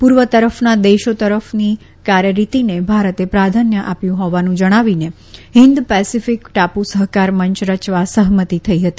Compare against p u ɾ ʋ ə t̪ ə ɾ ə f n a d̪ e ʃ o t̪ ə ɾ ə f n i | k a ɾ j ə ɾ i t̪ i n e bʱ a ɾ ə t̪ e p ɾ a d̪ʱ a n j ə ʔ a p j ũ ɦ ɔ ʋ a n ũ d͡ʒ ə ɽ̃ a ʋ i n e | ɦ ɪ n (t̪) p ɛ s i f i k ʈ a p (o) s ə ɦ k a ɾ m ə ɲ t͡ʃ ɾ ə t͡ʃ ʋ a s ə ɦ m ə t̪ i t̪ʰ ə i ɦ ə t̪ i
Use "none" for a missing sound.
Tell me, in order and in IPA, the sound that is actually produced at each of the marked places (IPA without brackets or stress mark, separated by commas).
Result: d̪, u